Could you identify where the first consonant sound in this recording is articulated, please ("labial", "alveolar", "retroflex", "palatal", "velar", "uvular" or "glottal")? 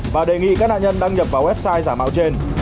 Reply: labial